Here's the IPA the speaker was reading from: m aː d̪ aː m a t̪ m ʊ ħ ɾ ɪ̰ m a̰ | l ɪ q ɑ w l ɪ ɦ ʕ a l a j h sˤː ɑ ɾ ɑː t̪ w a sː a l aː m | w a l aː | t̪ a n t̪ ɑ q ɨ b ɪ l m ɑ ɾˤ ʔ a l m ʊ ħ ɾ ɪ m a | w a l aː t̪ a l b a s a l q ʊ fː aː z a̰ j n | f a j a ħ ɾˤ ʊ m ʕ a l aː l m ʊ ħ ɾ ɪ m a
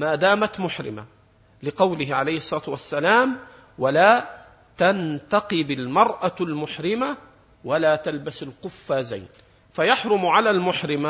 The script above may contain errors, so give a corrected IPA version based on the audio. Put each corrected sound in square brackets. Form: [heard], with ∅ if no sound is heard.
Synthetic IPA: m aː d̪ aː m a t̪ m ʊ ħ ɾ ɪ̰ m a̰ | l ɪ q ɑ w l ɪ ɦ ʕ a l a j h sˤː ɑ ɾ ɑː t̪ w a sː a l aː m | w a l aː | t̪ a n t̪ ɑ q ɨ b ɪ l m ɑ ɾˤ ʔ a l m ʊ ħ ɾ ɪ m a | w a l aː t̪ a l b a s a l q ʊ fː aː z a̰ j n | f a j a ħ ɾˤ ʊ m ʕ a l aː l m ʊ ħ ɾ ɪ m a